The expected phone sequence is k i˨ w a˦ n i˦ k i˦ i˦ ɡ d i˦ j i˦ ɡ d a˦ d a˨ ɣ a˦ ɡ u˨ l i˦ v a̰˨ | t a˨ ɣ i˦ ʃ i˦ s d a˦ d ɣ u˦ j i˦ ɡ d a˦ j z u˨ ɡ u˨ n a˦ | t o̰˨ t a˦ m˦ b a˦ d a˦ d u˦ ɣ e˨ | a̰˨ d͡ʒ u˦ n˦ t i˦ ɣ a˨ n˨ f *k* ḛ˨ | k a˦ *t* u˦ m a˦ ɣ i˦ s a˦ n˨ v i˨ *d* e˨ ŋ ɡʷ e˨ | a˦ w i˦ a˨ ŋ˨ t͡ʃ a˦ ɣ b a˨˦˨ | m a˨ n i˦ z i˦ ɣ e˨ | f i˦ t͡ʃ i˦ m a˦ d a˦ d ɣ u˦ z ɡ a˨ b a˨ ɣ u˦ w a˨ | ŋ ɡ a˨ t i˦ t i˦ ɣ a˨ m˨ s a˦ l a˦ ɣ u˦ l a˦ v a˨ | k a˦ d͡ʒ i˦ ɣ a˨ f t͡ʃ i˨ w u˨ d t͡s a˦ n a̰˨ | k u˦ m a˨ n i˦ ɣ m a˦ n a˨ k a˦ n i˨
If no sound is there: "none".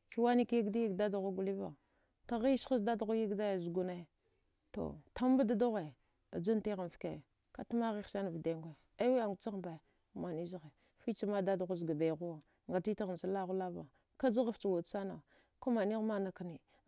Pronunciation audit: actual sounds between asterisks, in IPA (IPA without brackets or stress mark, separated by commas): k, t, d